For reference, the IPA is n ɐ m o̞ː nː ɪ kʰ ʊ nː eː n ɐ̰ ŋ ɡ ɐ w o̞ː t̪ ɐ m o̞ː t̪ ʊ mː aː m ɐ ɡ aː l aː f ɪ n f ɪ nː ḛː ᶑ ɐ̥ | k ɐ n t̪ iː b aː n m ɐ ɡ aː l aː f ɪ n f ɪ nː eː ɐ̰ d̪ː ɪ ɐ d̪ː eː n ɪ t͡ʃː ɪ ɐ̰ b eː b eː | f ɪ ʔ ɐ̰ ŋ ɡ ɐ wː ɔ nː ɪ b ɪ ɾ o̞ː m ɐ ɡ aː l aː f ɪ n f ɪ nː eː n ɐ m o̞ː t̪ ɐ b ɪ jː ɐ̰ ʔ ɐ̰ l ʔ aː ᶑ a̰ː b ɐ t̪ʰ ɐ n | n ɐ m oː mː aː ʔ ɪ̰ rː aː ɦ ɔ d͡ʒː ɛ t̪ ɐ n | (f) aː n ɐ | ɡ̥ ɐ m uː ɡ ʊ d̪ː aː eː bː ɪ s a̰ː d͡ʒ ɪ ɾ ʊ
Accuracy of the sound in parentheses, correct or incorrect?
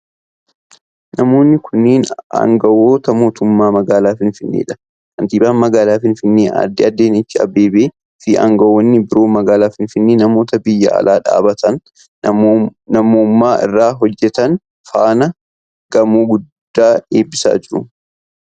correct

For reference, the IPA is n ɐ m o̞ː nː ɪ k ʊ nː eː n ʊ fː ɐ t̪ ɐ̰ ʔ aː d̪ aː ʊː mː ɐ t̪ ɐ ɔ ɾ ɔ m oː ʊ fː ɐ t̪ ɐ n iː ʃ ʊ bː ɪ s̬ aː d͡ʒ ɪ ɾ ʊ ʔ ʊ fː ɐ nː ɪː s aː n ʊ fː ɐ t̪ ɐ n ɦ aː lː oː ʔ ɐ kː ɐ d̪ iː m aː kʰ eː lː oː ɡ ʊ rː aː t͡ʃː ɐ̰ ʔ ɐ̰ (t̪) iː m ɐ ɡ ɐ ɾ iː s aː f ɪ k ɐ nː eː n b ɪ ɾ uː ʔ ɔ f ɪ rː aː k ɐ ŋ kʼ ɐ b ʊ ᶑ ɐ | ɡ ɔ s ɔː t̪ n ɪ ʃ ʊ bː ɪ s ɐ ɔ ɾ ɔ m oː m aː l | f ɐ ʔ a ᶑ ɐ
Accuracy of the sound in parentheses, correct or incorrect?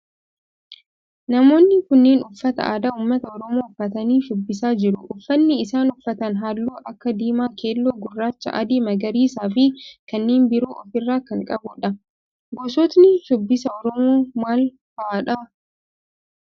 incorrect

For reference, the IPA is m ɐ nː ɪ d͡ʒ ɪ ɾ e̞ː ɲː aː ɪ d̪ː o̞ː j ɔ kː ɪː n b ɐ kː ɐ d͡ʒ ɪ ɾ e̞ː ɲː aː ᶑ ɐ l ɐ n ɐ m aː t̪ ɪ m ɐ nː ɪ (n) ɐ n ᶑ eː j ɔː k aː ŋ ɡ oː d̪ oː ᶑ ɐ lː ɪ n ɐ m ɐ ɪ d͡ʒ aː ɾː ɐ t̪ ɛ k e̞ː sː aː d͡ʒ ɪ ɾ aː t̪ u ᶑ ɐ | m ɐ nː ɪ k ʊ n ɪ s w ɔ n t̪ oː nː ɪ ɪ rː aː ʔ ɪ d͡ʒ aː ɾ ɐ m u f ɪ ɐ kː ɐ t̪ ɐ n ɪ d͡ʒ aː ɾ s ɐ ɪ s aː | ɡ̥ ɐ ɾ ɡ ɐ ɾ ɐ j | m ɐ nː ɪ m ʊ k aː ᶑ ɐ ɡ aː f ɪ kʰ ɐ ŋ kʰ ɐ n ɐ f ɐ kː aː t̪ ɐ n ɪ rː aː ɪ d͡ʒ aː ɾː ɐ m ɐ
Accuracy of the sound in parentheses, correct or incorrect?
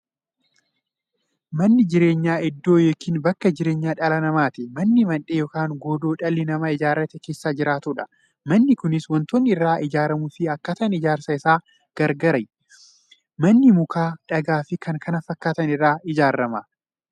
incorrect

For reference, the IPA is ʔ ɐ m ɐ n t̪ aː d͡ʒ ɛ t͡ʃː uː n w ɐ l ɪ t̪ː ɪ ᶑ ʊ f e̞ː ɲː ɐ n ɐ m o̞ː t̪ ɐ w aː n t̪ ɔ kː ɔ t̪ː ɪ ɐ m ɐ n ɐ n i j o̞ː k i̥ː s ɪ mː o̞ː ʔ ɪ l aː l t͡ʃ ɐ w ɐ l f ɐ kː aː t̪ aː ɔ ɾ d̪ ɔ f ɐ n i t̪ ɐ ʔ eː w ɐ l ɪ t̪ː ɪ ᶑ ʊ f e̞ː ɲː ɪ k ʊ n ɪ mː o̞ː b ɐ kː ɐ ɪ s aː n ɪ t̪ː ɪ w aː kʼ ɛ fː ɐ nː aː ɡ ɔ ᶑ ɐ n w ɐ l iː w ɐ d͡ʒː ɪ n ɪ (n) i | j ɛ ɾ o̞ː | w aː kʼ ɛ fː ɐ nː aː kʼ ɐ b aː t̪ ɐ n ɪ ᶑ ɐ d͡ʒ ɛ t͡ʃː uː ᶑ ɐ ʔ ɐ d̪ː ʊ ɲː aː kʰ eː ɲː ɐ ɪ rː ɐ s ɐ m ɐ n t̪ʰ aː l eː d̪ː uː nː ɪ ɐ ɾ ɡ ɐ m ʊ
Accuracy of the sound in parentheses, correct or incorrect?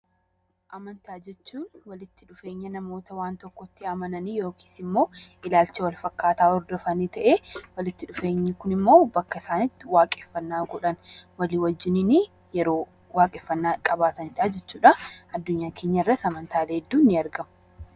correct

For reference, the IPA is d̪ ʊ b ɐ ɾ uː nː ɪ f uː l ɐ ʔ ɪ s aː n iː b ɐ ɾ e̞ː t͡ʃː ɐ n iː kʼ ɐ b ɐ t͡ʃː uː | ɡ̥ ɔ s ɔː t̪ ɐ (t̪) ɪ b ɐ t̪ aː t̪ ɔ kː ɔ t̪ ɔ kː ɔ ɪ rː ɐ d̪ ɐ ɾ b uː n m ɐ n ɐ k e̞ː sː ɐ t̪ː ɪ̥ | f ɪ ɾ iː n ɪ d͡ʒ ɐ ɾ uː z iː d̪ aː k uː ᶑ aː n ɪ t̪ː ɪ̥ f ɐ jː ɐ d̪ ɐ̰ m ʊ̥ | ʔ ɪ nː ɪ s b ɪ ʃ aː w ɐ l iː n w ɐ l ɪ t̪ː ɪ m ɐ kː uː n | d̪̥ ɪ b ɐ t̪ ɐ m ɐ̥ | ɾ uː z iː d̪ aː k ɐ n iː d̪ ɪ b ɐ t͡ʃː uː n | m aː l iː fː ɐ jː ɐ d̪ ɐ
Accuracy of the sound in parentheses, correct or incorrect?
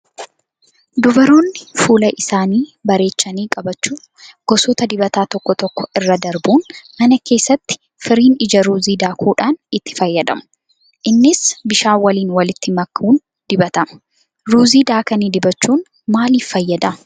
incorrect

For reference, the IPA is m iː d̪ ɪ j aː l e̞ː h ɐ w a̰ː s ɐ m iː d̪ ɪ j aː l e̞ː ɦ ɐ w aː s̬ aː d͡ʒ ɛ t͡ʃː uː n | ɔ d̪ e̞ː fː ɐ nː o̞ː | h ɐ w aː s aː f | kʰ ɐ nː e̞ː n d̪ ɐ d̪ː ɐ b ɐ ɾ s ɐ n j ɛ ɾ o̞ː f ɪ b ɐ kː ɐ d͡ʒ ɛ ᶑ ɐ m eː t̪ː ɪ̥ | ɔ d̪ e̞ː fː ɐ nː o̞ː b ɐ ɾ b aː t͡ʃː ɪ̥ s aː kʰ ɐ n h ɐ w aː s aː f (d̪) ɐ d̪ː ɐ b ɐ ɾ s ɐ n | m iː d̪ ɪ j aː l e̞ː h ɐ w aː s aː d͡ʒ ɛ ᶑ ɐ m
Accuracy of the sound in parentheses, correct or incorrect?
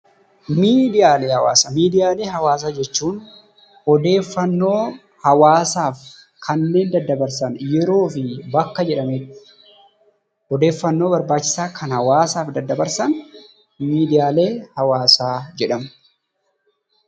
correct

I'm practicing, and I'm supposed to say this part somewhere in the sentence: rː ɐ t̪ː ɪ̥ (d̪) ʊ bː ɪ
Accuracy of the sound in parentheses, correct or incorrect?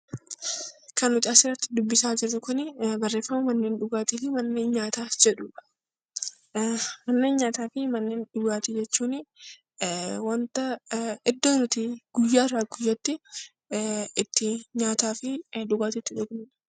correct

